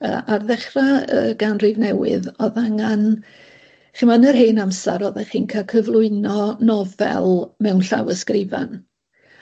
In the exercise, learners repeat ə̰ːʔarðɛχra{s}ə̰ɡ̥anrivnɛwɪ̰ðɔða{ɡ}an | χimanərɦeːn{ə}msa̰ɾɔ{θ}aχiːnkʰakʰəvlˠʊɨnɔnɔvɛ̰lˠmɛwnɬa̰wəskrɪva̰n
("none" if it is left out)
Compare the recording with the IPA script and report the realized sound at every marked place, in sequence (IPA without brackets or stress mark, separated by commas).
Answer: none, ŋ, a, ð